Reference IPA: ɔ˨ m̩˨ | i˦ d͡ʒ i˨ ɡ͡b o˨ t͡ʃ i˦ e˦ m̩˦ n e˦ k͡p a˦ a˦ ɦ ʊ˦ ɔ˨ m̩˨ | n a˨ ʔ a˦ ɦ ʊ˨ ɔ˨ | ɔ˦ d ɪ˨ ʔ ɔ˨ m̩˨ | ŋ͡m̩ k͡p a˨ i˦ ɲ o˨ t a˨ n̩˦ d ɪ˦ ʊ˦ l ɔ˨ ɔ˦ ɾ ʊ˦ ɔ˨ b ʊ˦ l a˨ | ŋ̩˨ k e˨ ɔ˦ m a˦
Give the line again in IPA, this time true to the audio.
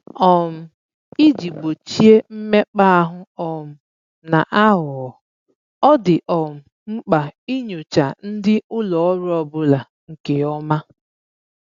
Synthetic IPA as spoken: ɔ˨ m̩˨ | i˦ d͡ʒ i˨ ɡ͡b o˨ t͡ʃ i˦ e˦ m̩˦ m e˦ k͡p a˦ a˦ ɦ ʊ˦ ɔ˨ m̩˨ | n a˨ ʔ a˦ ɦ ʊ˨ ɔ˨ | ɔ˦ d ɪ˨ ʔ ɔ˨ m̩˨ | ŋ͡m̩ k͡p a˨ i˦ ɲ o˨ t͡ʃ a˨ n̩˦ d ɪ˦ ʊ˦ l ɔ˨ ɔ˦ ɾ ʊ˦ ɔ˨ b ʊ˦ l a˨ | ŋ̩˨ k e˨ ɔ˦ m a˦